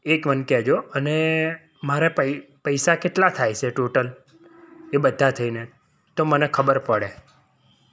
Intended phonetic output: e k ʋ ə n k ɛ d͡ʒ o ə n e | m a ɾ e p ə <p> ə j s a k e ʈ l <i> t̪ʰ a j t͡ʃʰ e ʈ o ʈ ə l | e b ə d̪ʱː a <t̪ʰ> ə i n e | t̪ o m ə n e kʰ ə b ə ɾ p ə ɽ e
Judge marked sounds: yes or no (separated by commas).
yes, no, yes